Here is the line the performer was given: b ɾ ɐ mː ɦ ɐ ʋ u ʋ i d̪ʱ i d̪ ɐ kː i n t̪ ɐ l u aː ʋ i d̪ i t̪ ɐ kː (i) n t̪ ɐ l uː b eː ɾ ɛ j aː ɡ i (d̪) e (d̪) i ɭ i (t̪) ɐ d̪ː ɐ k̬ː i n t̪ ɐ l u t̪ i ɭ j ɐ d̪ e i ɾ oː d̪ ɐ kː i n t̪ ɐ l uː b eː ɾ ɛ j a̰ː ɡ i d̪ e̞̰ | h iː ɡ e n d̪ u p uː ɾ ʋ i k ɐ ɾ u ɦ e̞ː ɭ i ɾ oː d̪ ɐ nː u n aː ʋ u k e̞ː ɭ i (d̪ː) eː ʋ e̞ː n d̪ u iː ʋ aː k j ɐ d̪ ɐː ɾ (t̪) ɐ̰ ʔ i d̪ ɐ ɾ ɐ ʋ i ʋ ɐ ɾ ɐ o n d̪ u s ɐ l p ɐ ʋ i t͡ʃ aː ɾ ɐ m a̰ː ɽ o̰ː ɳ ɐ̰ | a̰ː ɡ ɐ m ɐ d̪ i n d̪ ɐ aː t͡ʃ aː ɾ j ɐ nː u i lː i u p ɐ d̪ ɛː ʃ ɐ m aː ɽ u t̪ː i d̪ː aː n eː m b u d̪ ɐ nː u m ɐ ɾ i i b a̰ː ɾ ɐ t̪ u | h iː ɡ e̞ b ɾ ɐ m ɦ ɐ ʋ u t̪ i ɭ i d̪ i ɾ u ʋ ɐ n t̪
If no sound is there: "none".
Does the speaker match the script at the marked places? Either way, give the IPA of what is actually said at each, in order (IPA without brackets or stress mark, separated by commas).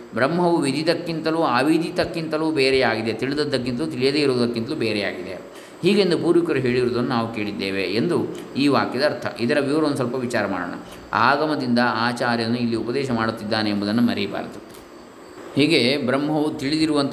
i, d̪, t̪, d̪, d̪ː, t̪ʰ